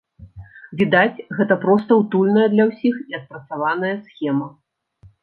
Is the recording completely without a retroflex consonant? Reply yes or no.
yes